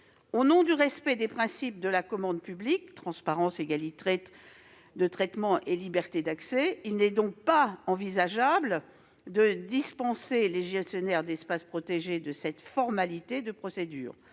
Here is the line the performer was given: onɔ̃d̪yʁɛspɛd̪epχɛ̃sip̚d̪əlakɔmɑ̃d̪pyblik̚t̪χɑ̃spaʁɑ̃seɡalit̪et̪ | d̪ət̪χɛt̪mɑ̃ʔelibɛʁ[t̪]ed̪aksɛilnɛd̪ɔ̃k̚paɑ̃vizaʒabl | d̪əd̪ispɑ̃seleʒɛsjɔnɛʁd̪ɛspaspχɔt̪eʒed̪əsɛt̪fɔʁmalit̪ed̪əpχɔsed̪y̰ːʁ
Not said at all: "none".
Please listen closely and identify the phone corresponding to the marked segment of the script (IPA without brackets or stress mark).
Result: t̪